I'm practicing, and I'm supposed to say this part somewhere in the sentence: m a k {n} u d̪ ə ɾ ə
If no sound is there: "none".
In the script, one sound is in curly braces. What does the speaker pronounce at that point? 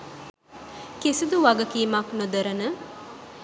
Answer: n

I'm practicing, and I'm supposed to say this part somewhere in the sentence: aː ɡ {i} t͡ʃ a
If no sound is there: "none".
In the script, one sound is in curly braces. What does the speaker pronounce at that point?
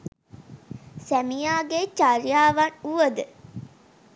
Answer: e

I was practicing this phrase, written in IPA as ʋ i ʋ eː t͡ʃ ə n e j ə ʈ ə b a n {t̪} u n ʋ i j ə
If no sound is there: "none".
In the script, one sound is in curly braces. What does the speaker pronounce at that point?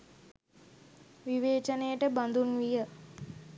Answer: d̪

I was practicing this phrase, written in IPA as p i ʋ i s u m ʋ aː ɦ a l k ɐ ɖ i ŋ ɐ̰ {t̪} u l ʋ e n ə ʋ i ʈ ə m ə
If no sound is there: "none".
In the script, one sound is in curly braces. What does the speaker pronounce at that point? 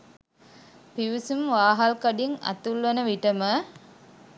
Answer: t̪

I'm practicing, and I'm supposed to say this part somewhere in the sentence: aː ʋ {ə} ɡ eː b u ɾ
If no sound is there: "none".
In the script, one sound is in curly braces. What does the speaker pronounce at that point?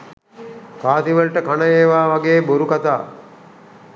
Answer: a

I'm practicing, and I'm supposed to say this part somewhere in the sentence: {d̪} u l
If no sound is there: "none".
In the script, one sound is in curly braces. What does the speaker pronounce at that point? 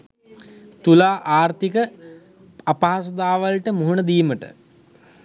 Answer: t̪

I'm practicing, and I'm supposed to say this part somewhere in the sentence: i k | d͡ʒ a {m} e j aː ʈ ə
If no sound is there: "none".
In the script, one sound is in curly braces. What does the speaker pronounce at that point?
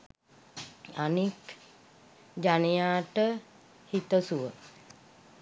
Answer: n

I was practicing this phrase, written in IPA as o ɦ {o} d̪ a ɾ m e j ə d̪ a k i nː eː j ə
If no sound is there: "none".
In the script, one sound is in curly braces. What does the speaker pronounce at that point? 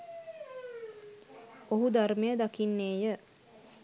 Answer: u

